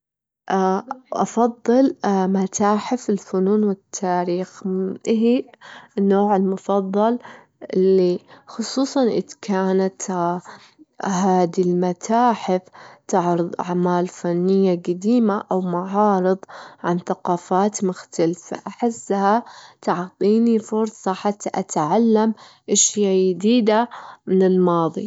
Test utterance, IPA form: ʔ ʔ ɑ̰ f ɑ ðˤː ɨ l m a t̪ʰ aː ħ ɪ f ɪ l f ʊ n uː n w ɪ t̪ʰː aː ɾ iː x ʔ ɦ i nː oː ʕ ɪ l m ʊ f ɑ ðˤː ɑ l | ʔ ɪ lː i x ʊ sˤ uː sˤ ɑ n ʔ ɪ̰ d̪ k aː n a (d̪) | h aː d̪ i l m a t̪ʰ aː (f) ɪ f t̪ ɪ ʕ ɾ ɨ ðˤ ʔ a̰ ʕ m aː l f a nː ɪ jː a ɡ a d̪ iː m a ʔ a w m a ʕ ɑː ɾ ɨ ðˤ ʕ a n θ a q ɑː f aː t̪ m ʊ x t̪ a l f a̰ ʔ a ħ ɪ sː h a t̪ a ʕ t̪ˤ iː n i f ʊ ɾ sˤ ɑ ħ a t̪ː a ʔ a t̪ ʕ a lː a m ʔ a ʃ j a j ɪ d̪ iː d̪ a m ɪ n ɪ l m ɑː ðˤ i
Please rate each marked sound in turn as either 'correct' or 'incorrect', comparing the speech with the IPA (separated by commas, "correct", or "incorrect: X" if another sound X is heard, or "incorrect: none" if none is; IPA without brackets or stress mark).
incorrect: t̪, incorrect: ħ